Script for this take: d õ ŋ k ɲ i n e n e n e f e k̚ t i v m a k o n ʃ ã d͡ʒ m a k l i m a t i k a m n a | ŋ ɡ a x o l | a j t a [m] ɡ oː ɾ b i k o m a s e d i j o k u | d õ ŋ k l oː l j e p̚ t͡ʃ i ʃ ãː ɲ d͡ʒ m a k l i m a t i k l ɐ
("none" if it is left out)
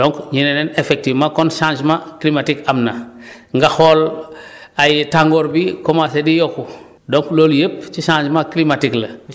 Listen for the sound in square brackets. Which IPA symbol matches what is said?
ŋ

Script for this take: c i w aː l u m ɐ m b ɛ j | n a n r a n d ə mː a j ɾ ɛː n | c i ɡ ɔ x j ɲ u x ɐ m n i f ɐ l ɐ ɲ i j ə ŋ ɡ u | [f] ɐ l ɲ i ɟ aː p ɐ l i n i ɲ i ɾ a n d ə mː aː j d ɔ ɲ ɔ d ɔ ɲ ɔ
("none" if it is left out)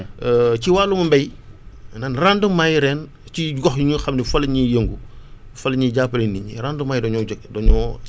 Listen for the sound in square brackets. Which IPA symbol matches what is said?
f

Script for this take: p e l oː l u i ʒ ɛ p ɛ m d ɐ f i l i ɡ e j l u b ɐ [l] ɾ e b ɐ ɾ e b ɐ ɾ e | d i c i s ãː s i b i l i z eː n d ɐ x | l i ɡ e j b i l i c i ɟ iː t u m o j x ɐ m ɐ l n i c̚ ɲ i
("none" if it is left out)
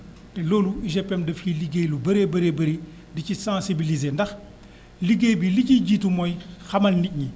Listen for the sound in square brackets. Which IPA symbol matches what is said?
none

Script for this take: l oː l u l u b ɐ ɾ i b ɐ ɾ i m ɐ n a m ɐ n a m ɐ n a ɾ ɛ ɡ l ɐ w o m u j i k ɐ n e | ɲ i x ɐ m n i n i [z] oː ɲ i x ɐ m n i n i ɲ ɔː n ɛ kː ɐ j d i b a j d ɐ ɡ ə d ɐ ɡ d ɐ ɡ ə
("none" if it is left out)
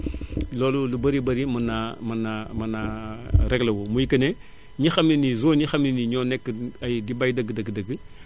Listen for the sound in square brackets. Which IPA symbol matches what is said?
z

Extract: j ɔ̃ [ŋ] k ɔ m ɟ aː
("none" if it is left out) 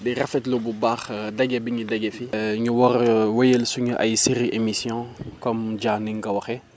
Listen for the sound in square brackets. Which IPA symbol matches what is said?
none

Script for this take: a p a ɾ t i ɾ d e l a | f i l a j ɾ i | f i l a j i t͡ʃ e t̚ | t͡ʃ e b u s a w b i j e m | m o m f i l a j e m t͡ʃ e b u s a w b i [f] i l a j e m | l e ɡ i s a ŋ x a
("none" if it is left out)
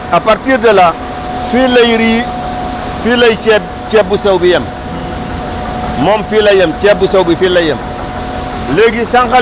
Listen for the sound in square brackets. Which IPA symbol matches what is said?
f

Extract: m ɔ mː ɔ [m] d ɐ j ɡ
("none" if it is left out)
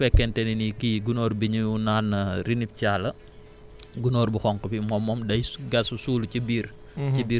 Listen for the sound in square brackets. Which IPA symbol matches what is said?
m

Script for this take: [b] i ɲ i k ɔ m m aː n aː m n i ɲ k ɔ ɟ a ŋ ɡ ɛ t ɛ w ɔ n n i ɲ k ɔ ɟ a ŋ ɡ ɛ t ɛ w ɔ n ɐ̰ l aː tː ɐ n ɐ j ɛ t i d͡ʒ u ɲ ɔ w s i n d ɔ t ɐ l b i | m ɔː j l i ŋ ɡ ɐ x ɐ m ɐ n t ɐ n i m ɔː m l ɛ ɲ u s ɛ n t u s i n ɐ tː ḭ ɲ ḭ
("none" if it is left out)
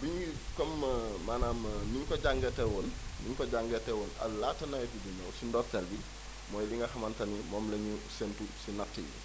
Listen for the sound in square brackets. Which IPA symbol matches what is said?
b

